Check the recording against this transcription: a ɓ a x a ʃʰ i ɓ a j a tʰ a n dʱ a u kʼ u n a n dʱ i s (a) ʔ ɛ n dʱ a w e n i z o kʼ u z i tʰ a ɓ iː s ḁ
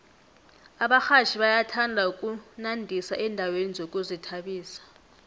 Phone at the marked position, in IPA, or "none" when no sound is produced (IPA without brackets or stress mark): a